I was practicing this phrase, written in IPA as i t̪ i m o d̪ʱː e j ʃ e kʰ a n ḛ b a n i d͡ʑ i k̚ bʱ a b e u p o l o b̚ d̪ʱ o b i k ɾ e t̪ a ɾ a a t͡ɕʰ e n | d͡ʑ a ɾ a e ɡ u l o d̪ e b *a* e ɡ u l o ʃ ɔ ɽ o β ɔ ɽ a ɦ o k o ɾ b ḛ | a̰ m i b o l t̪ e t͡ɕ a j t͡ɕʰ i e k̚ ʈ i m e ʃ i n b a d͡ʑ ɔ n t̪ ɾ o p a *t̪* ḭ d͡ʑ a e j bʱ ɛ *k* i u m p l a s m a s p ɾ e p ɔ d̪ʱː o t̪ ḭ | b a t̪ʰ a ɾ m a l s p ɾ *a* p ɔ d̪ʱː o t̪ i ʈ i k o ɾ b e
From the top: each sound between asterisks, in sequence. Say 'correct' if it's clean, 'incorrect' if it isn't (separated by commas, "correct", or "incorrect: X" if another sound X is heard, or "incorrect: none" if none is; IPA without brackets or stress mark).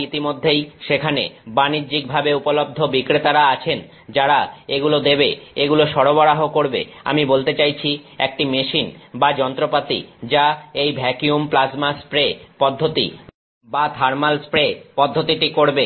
incorrect: e, correct, correct, incorrect: e